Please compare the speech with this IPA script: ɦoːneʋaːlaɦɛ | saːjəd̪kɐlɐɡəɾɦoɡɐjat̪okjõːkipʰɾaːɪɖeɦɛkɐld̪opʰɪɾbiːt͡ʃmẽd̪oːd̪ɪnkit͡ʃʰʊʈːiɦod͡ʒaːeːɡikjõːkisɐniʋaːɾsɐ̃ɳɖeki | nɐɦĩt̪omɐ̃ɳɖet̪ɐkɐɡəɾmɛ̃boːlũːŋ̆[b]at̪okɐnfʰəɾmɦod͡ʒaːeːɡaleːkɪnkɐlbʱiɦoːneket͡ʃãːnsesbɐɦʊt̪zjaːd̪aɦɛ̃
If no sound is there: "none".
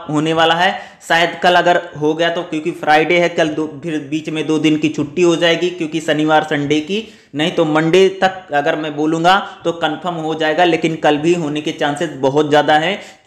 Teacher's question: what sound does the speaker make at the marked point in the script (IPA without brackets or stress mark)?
ɡ